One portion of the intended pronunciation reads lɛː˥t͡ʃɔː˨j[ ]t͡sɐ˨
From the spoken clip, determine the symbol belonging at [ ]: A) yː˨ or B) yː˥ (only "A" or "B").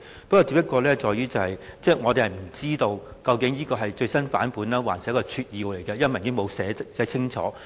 B